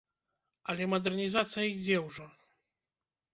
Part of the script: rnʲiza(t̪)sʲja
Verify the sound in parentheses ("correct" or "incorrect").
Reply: correct